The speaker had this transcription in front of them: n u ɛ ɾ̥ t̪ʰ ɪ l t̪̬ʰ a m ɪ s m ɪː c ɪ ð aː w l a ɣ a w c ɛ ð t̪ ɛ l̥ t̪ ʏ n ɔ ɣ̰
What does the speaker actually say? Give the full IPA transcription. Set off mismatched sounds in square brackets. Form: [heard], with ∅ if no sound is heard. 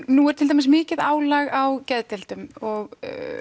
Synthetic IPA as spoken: n u ɛ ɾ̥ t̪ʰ ɪ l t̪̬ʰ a m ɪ s m ɪː c ɪ ð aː w l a ɣ a w c ɛ ð t̪ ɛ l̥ t̪ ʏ [m] ɔ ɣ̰